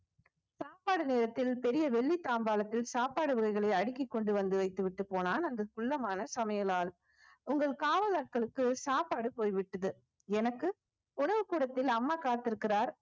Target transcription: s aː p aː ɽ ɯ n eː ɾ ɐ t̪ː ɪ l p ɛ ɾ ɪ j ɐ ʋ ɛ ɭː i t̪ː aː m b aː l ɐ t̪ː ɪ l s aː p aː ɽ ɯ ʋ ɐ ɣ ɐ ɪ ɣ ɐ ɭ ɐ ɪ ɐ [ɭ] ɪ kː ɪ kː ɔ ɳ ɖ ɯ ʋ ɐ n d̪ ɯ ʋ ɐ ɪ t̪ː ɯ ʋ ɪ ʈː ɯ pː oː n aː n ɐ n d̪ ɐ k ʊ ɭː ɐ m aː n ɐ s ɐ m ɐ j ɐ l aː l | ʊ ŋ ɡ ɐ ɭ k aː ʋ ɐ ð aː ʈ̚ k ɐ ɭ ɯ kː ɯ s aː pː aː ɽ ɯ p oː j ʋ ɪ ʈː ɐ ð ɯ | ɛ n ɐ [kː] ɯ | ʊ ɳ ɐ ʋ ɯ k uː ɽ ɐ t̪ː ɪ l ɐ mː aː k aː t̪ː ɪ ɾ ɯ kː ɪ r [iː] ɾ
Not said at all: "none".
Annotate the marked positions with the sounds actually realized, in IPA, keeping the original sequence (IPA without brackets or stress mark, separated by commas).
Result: ɽ, kː, aː